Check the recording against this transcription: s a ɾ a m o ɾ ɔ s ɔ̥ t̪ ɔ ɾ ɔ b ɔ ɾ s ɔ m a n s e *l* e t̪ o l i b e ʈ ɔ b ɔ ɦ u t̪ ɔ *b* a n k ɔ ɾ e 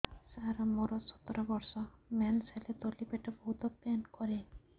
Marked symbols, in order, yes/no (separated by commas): yes, no